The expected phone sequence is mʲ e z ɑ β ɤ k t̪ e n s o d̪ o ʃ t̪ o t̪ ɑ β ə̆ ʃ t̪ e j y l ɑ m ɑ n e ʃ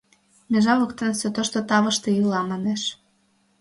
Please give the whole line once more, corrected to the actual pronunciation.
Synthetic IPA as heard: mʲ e ʒ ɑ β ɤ k t̪ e n s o t̪ o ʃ t̪ o t̪ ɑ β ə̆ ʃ t̪ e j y l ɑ m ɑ n e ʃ